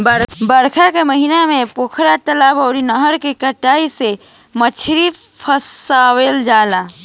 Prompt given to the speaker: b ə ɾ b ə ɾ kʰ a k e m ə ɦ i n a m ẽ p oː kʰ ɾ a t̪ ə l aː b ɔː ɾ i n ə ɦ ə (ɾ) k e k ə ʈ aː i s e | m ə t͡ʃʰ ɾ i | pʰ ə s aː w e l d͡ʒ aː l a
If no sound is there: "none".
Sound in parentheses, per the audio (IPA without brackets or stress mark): ɾ